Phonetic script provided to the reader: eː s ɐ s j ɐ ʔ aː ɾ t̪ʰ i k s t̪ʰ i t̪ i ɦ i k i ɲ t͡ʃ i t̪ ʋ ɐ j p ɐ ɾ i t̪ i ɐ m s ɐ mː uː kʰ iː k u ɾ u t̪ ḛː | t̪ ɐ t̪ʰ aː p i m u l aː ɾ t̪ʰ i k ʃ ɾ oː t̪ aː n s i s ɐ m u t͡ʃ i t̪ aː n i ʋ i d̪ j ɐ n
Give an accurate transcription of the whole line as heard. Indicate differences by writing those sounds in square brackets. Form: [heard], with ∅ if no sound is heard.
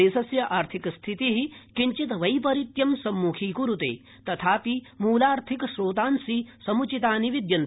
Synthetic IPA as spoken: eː s ɐ s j ɐ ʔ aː ɾ t̪ʰ i k s t̪ʰ i t̪ i ɦ i k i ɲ t͡ʃ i t̪ ʋ ɐ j p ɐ ɾ i t̪ [j] ɐ m s ɐ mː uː kʰ iː k u ɾ u t̪ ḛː | t̪ ɐ t̪ʰ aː p i m [uː] l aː ɾ t̪ʰ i k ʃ ɾ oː t̪ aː n s i s ɐ m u t͡ʃ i t̪ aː n i ʋ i d̪ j ɐ n